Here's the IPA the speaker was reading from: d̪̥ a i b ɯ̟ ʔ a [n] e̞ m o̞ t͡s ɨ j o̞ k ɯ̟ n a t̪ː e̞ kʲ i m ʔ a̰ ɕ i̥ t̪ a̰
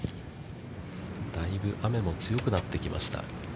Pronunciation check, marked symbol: incorrect: m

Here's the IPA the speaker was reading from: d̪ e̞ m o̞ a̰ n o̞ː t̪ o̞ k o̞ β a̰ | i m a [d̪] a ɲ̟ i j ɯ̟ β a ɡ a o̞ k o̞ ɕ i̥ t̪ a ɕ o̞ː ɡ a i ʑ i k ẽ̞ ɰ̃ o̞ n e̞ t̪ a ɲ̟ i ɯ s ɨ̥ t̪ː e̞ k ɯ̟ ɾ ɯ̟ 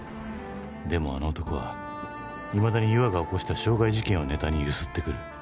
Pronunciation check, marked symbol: correct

